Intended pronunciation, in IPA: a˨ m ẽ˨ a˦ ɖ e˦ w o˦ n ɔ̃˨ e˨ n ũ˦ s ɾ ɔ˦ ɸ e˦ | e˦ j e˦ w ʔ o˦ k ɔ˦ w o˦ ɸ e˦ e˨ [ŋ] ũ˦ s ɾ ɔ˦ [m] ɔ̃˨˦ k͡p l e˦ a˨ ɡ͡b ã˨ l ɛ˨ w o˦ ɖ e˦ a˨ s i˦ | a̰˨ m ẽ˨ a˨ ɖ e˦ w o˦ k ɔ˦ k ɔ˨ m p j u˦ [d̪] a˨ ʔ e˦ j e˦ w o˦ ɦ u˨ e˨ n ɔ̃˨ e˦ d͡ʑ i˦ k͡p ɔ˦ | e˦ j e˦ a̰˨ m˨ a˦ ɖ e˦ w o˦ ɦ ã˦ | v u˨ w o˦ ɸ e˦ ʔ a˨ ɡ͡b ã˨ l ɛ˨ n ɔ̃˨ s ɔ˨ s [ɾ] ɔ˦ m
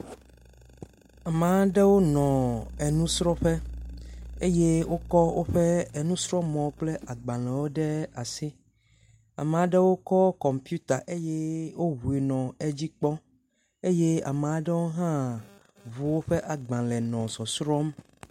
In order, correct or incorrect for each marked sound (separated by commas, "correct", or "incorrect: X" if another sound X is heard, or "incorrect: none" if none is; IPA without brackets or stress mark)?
incorrect: n, correct, incorrect: t̪, correct